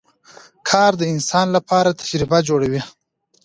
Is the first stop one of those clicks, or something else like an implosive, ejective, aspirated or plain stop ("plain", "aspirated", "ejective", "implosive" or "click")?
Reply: aspirated